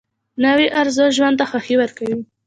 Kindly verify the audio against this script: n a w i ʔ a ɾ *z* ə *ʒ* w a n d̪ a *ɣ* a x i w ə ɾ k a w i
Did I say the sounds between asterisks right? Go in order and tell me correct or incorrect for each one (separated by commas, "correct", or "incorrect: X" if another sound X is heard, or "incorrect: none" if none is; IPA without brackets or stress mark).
correct, correct, incorrect: x